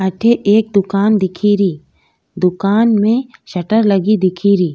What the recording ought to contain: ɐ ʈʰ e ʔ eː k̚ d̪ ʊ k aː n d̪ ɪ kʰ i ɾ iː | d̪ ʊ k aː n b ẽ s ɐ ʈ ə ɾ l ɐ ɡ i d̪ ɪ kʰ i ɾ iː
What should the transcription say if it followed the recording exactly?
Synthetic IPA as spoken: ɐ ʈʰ e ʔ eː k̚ d̪ ʊ k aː n d̪ ɪ kʰ i ɾ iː | d̪ ʊ k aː n m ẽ ʃ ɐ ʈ ə ɾ l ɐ ɡ i d̪ ɪ kʰ i ɾ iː